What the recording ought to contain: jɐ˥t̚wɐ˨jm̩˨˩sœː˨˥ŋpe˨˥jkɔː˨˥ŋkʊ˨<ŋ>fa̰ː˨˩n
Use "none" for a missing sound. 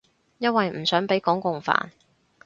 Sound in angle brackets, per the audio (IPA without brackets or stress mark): ŋ